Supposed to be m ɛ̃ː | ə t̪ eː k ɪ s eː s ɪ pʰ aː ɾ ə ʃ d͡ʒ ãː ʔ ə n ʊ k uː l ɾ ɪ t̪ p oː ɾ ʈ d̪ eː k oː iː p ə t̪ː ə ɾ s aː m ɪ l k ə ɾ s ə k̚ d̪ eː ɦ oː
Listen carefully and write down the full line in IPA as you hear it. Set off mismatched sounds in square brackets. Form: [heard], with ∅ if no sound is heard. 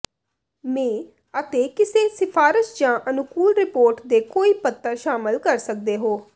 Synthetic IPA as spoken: m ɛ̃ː | ə t̪ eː k ɪ s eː s ɪ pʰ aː ɾ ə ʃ d͡ʒ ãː ʔ ə n ʊ k uː l ɾ ɪ [∅] p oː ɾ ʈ d̪ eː k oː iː p ə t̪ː ə ɾ [ʃ] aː m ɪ l k ə ɾ s ə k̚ d̪ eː ɦ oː